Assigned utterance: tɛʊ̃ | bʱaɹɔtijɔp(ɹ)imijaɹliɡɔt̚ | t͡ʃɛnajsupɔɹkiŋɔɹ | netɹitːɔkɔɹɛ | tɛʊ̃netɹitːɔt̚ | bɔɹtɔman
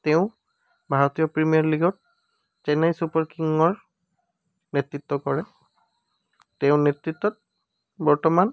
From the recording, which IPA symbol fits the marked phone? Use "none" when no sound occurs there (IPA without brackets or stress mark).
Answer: ɹ